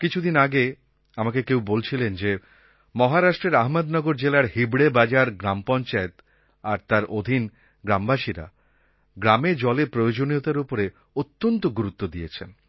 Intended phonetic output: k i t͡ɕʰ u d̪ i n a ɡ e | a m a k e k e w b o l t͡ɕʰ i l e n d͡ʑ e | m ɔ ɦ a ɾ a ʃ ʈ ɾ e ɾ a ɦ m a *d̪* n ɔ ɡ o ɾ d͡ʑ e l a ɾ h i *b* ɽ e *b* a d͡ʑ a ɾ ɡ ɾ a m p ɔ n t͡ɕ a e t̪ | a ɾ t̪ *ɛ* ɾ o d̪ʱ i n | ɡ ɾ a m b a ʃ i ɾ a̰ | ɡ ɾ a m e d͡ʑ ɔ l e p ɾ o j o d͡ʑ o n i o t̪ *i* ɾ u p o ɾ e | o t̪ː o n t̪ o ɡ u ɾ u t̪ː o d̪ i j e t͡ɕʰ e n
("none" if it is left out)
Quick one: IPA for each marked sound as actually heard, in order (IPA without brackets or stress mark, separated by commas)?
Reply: d̪, b, b, a, a